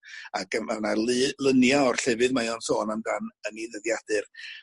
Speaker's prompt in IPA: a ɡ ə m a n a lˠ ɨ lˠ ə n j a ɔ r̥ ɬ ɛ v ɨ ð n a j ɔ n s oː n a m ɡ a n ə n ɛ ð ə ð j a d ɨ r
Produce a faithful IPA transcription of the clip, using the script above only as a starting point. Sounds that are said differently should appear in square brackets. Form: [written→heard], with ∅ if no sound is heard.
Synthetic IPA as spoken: a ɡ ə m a n a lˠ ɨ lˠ ə n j a ɔ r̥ ɬ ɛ v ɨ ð [n→m] a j ɔ n s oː n a m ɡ a n ə n [ɛ→i] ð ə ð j a d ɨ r